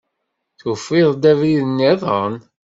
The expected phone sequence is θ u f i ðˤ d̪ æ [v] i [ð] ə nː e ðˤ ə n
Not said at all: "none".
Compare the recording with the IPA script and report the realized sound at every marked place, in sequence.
v, ð

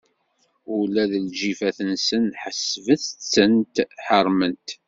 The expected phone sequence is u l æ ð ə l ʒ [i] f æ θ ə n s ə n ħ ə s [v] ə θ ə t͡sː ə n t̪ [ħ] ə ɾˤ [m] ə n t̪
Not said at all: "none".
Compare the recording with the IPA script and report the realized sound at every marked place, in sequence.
i, v, ħ, m

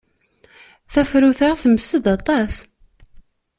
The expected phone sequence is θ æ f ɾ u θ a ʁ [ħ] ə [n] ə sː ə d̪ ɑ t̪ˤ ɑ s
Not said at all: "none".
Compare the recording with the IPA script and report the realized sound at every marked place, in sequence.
θ, m

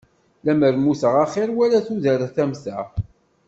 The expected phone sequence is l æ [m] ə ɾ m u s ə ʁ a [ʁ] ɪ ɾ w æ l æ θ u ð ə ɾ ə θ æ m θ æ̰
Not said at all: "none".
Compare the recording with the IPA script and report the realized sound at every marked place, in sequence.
m, χ

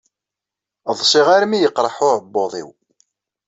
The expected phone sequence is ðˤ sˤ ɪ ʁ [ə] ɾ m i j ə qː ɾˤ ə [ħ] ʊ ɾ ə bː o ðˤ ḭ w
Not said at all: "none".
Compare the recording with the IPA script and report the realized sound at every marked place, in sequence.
a, ħ

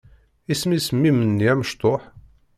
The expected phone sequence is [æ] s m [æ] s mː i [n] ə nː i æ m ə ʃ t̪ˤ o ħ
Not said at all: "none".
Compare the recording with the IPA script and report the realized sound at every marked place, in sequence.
i, i, m

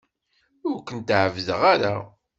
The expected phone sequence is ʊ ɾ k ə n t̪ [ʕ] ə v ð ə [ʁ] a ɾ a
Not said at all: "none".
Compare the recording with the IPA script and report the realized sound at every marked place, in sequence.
ʕ, ʁ

